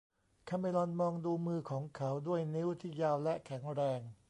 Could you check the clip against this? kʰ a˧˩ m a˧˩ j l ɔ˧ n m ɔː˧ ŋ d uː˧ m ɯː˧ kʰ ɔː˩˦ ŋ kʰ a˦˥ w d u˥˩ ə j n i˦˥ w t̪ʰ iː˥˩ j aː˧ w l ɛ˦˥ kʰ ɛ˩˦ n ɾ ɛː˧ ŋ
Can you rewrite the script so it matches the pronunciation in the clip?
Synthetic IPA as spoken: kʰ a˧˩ m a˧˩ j l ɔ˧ n m ɔː˧ ŋ d uː˧ m ɯː˧ kʰ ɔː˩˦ ŋ kʰ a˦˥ w d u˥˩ ə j n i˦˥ w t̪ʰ iː˥˩ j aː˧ w l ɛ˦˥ kʰ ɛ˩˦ ŋ ɾ ɛː˧ ŋ